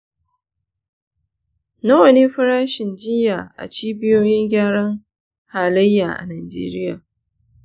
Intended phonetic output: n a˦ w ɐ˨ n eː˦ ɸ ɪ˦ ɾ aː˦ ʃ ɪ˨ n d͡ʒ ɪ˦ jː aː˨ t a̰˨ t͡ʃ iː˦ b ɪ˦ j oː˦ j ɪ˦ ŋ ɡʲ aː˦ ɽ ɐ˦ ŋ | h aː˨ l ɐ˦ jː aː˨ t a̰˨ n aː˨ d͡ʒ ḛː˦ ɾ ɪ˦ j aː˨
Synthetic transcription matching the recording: n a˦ w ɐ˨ n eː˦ ɸ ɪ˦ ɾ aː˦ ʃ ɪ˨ n d͡ʒ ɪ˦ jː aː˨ ʔ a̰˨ t͡ʃ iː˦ b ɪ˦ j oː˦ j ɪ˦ ŋ ɡʲ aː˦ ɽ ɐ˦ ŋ | h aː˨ l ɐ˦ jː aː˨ ʔ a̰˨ n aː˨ d͡ʒ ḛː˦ ɾ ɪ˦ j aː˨